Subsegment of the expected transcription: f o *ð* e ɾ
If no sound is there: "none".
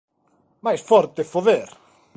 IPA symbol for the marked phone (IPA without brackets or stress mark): ð